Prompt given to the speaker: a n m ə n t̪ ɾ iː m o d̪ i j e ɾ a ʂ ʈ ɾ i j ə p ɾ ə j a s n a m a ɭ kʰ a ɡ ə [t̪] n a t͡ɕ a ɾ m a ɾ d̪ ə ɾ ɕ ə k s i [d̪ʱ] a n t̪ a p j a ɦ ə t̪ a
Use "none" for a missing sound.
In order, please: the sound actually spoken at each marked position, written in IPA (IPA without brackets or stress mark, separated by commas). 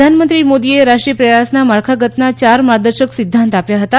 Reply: t̪, d̪ʱː